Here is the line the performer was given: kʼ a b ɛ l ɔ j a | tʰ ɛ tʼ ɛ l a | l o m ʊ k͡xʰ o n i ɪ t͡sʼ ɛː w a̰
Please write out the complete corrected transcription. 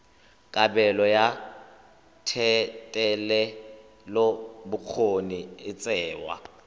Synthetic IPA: kʼ a b ɛ l ɔ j a | tʰ ɛ tʼ ɛ l ɛ | l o b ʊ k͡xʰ o n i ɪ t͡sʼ ɛː w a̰